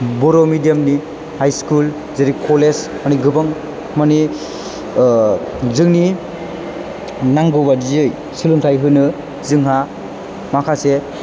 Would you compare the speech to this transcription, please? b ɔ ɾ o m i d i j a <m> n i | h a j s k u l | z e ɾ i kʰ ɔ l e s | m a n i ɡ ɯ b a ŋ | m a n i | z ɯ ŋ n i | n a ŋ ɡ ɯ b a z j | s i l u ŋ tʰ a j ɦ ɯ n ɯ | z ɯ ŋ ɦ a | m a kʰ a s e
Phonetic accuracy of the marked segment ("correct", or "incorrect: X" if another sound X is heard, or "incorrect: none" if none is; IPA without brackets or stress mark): correct